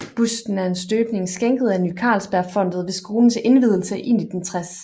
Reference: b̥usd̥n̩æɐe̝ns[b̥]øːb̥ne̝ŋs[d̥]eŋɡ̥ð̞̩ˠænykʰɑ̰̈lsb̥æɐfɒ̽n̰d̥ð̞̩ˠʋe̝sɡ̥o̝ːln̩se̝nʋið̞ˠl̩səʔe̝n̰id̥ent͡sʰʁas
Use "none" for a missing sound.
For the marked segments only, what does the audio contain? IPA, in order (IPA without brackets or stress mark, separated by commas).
d̥, ɡ̥